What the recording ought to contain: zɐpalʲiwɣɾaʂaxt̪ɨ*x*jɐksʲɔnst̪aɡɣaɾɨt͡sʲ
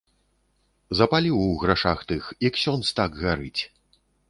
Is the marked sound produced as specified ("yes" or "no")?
yes